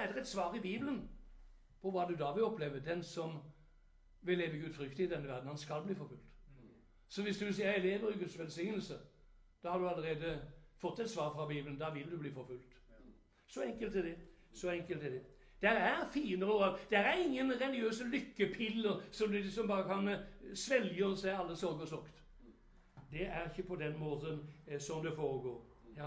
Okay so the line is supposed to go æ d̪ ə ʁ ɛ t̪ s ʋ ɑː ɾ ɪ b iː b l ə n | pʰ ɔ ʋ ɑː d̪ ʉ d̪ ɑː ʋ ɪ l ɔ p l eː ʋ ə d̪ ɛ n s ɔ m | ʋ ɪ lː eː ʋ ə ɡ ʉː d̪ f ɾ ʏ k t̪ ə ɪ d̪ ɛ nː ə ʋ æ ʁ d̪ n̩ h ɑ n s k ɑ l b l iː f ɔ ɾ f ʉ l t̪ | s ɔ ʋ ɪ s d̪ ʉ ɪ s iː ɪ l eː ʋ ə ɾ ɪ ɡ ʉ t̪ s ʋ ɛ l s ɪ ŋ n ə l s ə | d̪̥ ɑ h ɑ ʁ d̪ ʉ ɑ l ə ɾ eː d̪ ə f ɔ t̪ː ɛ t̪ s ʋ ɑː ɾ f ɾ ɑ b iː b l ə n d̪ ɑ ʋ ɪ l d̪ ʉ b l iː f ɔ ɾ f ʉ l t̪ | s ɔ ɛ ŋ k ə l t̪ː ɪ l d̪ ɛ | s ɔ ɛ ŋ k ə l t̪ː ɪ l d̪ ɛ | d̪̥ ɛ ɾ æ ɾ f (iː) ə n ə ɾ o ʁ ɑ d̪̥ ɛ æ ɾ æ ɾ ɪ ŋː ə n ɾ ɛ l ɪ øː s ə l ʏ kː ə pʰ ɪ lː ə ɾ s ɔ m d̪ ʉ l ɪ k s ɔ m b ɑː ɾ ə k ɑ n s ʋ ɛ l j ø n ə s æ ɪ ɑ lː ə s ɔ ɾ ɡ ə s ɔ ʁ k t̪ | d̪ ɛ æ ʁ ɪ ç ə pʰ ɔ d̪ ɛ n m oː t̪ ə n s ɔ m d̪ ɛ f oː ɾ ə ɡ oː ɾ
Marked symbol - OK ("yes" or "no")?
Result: yes